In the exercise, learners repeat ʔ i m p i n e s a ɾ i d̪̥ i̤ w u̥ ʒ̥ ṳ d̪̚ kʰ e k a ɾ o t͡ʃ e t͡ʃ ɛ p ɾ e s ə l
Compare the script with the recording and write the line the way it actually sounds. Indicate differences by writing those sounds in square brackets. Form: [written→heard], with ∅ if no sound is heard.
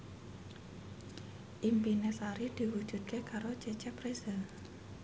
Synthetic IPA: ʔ i m p i n e s a ɾ i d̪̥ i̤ w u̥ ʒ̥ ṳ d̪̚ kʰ e k a ɾ o t͡ʃ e t͡ʃ ɛ p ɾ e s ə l